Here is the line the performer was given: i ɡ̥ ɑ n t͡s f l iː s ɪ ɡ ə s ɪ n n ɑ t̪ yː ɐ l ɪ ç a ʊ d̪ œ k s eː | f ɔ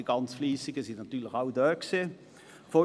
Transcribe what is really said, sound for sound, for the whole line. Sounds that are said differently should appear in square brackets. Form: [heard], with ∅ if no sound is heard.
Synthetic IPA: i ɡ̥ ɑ n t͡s f l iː s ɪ ɡ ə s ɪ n n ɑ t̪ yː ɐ l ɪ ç a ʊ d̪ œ k s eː | f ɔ